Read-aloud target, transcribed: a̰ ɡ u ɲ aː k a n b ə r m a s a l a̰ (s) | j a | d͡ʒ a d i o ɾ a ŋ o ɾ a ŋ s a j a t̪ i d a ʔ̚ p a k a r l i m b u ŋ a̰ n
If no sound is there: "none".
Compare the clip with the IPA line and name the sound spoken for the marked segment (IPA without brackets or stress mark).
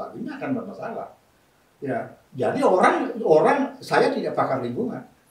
h